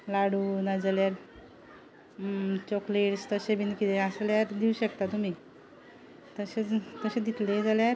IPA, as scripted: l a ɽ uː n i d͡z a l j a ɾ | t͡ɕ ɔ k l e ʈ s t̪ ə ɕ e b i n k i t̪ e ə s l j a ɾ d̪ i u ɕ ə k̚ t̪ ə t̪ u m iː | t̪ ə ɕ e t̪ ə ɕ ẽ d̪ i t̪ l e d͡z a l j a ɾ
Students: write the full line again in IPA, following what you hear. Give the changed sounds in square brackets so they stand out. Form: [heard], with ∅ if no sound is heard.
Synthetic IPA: l a ɽ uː n [a] d͡z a l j a ɾ | t͡ɕ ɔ k l e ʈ s t̪ ə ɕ e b i n k i t̪ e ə s l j a ɾ d̪ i u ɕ ə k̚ t̪ [a] t̪ u m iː | t̪ ə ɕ e t̪ ə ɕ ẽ d̪ i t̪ l e d͡z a l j a ɾ